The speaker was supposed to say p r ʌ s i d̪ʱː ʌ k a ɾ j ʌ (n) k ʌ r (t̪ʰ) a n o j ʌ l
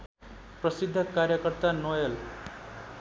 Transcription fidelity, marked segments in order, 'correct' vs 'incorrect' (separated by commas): incorrect, incorrect